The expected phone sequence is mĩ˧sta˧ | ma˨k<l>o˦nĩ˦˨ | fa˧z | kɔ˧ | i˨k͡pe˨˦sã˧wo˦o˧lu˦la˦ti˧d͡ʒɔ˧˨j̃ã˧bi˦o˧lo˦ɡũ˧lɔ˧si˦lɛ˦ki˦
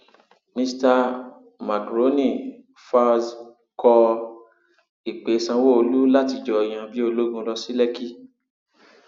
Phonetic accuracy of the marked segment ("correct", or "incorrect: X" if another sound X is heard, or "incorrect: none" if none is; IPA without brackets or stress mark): incorrect: ɾ